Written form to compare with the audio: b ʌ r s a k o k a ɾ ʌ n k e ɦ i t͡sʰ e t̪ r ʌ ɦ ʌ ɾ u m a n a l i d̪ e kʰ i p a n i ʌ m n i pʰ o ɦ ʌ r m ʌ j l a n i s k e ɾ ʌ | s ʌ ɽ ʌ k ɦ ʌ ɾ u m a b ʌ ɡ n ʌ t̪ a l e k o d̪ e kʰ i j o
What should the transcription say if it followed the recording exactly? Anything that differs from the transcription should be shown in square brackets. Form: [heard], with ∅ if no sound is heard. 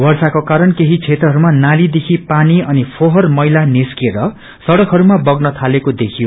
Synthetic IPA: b ʌ r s a k o k a ɾ ʌ n k e ɦ i t͡sʰ e t̪ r ʌ ɦ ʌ ɾ u m a n a l i d̪ e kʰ i p a n i ʌ [∅] n i pʰ o ɦ ʌ r m ʌ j l a n i s k e ɾ ʌ | s ʌ ɽ ʌ k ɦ ʌ ɾ u m a b ʌ ɡ n ʌ [t̪ʰ] a l e k o d̪ e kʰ i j o